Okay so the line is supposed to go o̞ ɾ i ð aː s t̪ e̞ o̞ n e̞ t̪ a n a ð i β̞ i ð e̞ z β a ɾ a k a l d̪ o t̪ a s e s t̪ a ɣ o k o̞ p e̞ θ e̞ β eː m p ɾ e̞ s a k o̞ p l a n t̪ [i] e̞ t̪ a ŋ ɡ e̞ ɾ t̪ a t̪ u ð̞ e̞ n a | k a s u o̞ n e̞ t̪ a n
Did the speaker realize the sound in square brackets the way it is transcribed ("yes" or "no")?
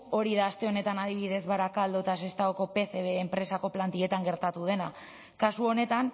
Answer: yes